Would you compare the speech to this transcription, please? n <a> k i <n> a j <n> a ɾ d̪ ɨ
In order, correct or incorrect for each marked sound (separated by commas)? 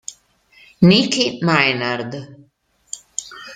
incorrect, incorrect, correct